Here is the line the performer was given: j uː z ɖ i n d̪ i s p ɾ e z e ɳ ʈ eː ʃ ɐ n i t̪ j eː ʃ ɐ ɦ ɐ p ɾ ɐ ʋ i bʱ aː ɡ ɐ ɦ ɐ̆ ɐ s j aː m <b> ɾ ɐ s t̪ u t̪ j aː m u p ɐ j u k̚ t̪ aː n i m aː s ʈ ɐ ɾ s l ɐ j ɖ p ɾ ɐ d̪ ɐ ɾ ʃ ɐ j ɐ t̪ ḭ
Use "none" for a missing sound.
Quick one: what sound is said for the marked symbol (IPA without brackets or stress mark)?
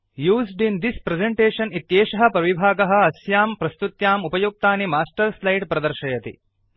p